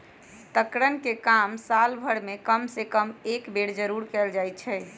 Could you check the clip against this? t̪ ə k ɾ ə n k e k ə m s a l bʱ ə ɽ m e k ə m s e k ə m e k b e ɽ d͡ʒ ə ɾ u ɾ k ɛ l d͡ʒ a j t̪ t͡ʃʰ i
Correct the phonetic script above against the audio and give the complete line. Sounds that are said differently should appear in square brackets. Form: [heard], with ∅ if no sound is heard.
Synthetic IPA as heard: t̪ ə k ɾ ə n k e k [a] m s a l bʱ ə ɽ m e k ə m s e k ə m e k b e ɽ d͡ʒ ə ɾ u ɾ k ɛ l d͡ʒ a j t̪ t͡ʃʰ [ɛ]